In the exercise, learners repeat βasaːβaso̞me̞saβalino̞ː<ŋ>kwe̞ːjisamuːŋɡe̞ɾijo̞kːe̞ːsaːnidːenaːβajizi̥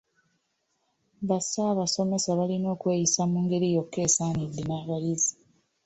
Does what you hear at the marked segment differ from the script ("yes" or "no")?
yes